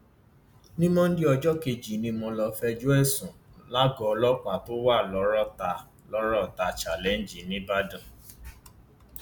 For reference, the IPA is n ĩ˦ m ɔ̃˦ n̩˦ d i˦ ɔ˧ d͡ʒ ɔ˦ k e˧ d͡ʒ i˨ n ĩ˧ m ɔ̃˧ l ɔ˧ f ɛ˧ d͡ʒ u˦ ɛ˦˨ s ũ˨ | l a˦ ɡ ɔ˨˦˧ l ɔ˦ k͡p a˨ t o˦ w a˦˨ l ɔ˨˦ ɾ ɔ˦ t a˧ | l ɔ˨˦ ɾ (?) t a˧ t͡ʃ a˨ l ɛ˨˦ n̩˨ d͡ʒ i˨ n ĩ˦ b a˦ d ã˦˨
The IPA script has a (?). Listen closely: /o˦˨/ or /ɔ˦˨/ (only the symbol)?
ɔ˦˨